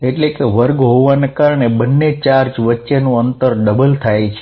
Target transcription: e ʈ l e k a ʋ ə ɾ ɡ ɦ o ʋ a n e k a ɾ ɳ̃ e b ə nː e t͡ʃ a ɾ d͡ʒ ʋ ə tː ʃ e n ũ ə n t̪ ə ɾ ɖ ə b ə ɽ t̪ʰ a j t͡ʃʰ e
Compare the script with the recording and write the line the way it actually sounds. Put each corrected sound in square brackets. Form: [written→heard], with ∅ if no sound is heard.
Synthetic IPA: e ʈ l e k [a→e] ʋ ə ɾ ɡ ɦ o ʋ a n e k a ɾ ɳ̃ e b ə nː e t͡ʃ a ɾ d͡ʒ ʋ ə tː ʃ e n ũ ə n t̪ ə ɾ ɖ ə b ə [ɽ→l] t̪ʰ a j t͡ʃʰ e